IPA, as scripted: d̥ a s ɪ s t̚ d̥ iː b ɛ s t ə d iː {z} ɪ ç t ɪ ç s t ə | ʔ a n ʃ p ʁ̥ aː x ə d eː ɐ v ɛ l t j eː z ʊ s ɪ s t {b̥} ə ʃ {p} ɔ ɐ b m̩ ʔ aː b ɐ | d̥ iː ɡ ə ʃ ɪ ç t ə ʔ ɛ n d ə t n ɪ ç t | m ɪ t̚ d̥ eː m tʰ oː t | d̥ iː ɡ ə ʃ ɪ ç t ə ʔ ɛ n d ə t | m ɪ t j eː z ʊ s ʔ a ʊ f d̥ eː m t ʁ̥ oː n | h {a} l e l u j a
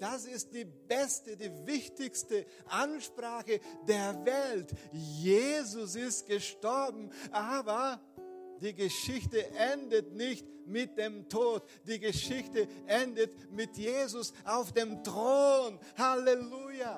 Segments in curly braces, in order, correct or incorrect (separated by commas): incorrect, incorrect, incorrect, correct